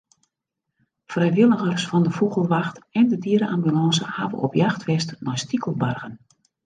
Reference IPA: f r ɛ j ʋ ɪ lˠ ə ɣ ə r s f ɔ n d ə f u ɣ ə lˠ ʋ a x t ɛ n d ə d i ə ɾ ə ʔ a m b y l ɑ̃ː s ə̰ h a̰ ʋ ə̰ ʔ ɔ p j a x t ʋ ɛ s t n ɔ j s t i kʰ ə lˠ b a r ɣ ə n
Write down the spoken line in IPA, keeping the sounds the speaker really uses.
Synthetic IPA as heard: f r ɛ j ʋ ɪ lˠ ə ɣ ə r s f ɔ n d ə f u ɣ ə lˠ ʋ a x t ɛ n d ə d i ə ɾ ə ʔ a m b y l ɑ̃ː s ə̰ h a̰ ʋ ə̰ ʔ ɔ p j a x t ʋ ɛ s t n ɔ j s t i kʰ ə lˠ b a r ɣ ə n